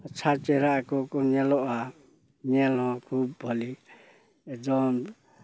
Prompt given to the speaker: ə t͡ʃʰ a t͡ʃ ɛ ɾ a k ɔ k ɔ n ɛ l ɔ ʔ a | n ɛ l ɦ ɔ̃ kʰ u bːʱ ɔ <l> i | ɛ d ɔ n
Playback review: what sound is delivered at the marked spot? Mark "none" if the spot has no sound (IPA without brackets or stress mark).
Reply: l